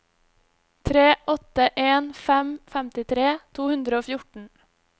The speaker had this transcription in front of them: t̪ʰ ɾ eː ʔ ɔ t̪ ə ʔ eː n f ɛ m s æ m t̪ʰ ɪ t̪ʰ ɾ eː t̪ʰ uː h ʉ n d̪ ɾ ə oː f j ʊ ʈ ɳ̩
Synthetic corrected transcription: t̪ʰ ɾ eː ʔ ɔ t̪ ə ʔ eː n f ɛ m f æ m t̪ ɪ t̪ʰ ɾ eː t̪ʰ uː h ʉ n d̪ ɾ ə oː f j ʊ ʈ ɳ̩